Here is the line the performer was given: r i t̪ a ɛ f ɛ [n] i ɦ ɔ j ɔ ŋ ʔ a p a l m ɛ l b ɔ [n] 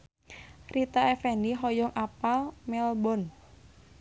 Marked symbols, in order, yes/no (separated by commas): yes, yes